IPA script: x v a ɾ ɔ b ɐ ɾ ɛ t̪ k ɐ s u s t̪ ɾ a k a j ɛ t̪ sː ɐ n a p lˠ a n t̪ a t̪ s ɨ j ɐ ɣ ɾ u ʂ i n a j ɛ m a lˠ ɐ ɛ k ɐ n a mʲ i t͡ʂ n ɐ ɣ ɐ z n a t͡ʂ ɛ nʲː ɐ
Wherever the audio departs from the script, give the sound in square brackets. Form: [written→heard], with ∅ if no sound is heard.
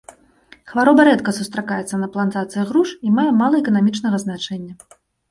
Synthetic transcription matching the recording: x v a ɾ ɔ b ɐ ɾ ɛ t̪ k ɐ s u s t̪ ɾ a k a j ɛ t̪ sː ɐ n [a→ɐ] p lˠ a n t̪ a t̪ s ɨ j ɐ ɣ ɾ u ʂ i [n→m] a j ɛ m a lˠ ɐ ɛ k ɐ n a mʲ i t͡ʂ n ɐ ɣ ɐ z n a t͡ʂ ɛ nʲː ɐ